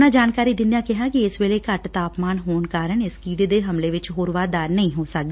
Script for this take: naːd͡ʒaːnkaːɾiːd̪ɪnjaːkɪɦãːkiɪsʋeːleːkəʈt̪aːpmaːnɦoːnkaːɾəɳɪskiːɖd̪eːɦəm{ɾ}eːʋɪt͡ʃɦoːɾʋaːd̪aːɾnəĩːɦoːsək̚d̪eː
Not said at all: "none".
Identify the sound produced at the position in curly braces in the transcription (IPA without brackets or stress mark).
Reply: l